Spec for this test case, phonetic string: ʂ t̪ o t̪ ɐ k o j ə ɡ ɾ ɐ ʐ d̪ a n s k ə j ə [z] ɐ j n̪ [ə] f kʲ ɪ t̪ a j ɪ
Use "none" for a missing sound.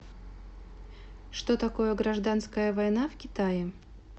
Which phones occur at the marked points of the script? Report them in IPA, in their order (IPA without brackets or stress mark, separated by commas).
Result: v, a